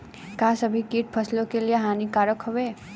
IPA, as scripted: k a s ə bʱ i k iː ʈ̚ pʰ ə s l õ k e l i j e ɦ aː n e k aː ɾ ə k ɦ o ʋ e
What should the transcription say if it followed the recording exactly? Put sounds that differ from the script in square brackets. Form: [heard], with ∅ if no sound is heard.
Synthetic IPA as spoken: k a s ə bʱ i k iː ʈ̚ pʰ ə s l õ k e l i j e ɦ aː n [i] k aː ɾ ə k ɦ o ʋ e